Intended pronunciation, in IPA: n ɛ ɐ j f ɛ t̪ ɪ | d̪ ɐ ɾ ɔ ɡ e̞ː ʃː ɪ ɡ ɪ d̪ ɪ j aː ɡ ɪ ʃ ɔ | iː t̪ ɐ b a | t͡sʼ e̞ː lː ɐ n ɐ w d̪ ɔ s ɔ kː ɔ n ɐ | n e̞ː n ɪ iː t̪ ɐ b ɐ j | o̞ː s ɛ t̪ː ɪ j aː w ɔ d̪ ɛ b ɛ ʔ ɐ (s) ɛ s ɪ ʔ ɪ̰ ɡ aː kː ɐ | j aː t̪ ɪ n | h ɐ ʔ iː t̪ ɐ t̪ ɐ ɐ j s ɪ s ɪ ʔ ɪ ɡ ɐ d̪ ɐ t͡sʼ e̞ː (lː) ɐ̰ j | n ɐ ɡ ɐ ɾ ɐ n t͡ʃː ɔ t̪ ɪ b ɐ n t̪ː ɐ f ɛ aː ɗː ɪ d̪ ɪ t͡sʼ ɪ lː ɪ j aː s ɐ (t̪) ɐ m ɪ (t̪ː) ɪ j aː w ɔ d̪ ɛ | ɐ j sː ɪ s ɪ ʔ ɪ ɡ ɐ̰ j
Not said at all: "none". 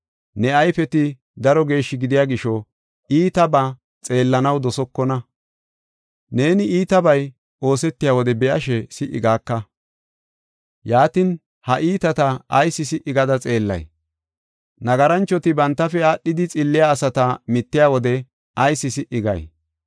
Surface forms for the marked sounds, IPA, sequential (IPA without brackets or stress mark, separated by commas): ʃ, lː, t̪, t̪ː